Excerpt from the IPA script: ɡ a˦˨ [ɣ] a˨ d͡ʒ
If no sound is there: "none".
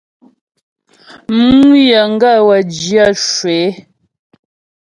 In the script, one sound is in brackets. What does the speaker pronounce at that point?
w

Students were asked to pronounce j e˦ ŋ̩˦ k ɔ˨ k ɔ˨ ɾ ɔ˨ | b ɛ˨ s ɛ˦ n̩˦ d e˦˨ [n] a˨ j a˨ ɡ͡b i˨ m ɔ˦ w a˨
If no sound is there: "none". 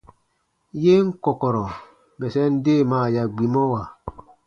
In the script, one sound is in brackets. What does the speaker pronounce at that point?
m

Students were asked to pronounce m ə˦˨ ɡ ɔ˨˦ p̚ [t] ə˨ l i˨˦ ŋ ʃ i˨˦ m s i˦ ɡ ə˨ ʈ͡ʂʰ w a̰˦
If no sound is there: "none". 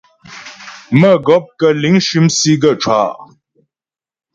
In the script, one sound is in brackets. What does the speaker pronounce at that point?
k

